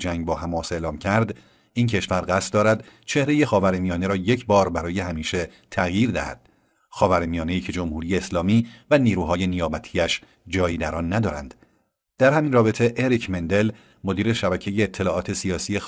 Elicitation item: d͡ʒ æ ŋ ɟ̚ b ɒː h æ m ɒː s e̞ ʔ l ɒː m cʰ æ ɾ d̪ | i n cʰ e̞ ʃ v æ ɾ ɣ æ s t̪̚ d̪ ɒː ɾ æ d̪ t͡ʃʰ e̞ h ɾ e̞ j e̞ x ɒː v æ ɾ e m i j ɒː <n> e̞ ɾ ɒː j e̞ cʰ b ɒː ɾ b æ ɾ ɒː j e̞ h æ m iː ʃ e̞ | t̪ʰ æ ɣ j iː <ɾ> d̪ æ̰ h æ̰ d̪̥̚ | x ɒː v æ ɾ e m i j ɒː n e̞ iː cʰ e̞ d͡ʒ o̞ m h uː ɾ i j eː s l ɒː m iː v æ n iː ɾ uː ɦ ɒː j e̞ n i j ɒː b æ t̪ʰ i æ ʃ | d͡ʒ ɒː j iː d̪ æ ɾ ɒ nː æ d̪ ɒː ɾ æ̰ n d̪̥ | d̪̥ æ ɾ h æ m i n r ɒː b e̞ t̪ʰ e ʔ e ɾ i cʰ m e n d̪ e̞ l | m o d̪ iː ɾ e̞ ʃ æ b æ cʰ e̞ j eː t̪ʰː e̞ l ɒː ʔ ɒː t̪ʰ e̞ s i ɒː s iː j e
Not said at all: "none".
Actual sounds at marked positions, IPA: n, ɾ

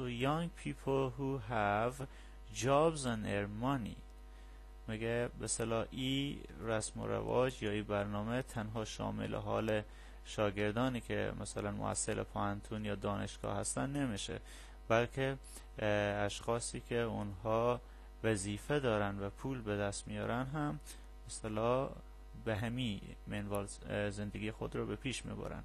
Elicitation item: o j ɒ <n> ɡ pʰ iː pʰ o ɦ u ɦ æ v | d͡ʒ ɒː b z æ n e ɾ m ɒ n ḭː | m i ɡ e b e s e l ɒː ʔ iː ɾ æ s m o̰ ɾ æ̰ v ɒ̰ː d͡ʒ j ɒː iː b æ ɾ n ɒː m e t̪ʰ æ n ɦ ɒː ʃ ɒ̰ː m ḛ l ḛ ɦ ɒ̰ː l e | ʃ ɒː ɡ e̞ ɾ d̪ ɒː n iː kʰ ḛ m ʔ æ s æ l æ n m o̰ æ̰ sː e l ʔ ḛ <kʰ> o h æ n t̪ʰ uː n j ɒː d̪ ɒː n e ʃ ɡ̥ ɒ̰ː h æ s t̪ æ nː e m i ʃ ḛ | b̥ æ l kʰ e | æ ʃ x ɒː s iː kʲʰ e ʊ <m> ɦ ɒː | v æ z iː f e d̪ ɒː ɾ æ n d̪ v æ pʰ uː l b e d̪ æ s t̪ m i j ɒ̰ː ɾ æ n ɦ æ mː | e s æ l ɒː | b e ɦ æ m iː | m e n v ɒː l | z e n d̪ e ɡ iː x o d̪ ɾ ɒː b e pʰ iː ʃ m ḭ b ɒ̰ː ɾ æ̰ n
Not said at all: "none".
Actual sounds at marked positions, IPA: ŋ, pʰ, n

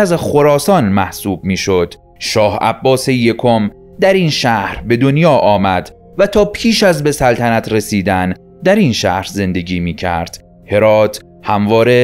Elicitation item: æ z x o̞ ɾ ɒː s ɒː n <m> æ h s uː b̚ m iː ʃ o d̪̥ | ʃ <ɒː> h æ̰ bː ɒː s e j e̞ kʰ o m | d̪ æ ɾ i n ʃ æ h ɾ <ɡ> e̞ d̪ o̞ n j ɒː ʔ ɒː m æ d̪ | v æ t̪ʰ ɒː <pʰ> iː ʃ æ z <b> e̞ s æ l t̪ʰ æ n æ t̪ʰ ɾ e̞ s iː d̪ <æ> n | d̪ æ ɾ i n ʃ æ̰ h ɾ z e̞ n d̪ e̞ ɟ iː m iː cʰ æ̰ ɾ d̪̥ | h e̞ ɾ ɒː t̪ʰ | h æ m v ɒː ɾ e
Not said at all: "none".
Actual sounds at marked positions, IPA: m, ɒː, b, pʰ, b, æ

